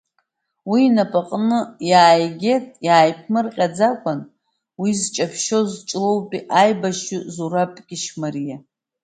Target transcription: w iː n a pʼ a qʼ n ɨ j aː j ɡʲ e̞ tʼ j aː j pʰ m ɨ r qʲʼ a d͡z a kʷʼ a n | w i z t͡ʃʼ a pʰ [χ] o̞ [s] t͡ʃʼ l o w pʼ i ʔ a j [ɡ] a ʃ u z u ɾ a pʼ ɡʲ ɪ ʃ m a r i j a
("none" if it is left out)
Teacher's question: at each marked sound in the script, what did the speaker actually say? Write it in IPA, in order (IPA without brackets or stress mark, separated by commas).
ʃ, z, b